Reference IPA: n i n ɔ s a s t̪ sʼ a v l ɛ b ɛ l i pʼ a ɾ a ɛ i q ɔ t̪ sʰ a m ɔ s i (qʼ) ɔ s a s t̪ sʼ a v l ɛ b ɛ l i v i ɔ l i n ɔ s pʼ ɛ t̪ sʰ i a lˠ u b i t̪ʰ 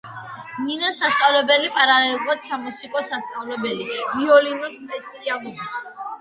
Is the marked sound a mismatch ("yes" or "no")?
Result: yes